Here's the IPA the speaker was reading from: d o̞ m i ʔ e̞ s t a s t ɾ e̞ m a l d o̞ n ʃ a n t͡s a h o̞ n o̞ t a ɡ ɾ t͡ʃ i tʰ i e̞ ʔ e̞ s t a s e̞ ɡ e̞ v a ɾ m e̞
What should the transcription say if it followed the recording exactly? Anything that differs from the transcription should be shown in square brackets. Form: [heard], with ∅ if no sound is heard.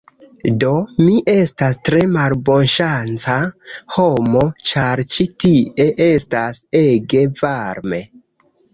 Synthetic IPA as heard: d o̞ m i ʔ e̞ s t a s t ɾ e̞ m a l [b] o̞ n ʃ a n t͡s a h o̞ [m] o̞ [t͡ʃ] a [∅] ɾ t͡ʃ i [t] i e̞ ʔ e̞ s t a s e̞ ɡ e̞ v a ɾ m e̞